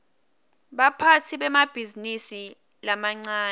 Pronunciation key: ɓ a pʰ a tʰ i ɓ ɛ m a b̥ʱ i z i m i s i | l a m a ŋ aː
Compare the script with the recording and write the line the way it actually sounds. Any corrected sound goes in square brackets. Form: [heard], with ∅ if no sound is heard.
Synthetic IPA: ɓ a pʰ a tʰ i ɓ ɛ m a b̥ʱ i z i [n] i s i | l a m a [ŋ͡ǀ] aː